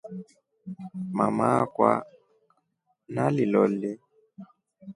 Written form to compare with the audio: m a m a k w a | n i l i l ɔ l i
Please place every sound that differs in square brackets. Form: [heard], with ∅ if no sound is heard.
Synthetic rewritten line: m a m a k w a | n [a] l i l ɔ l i